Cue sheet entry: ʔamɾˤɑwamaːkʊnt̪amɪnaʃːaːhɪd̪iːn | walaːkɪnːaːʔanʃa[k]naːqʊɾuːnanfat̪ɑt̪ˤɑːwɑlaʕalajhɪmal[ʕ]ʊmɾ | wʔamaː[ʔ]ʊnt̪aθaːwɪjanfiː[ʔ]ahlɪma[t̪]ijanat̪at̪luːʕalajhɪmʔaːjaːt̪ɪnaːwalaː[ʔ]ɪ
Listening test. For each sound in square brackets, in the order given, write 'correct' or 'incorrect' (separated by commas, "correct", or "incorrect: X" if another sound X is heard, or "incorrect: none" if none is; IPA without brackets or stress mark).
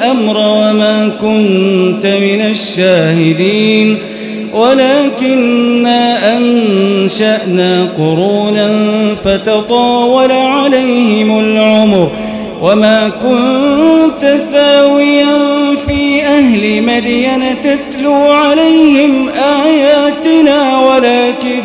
incorrect: ʔ, correct, incorrect: k, correct, incorrect: d̪, incorrect: k